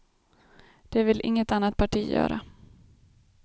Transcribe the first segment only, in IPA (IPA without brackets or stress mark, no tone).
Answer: d̪̥